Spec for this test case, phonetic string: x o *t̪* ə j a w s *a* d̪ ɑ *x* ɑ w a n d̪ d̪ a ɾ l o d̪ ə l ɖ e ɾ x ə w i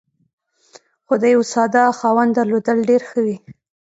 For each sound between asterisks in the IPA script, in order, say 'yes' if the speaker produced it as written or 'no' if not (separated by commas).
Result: no, no, yes